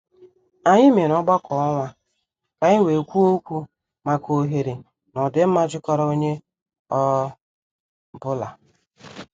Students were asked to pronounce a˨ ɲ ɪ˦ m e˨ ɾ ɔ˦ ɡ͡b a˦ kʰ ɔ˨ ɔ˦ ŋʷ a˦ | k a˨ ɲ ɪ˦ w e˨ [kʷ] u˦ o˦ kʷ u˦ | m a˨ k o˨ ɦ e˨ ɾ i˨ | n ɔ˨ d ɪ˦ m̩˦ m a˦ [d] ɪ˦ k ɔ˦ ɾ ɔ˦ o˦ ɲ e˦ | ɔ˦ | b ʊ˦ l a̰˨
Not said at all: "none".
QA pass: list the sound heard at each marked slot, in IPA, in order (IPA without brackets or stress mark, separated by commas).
kʷ, d͡ʒ